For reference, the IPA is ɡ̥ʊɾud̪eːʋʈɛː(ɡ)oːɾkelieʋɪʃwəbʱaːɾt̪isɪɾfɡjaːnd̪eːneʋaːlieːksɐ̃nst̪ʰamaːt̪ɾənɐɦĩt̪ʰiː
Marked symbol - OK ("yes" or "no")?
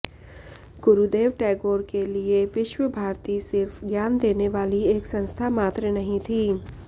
yes